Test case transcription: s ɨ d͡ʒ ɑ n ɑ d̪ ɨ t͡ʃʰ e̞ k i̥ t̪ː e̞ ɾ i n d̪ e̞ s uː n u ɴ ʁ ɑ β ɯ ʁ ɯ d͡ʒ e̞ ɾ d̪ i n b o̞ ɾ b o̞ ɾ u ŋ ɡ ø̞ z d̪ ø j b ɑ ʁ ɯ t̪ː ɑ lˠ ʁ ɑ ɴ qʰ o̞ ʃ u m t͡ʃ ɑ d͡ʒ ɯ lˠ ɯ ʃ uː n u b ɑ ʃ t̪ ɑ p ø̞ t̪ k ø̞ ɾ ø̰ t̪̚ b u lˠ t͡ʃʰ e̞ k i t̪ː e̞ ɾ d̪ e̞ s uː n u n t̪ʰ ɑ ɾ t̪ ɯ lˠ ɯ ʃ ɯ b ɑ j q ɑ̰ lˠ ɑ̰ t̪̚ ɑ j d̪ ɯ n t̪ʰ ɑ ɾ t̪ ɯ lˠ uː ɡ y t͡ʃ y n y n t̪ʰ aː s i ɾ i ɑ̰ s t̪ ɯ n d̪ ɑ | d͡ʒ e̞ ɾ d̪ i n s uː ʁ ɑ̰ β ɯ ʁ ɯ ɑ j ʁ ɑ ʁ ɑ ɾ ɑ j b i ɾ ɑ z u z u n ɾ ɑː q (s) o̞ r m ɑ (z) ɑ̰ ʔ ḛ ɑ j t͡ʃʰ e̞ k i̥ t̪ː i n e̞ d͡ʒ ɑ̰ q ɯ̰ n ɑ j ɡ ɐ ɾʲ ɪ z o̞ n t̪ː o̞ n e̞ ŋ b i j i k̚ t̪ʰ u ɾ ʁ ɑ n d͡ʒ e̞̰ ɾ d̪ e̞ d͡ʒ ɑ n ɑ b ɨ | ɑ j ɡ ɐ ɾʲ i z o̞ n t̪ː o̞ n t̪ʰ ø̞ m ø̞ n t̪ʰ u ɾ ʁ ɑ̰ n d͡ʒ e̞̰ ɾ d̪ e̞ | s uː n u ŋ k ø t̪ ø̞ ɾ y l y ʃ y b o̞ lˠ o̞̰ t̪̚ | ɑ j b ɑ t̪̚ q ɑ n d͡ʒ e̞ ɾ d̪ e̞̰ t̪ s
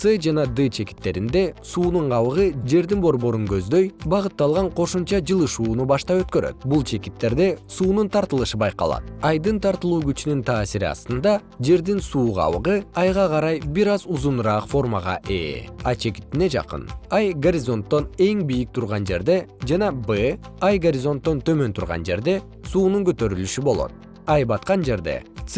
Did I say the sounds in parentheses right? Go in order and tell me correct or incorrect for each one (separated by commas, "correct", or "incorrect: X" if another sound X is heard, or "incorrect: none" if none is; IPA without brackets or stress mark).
incorrect: f, incorrect: ʁ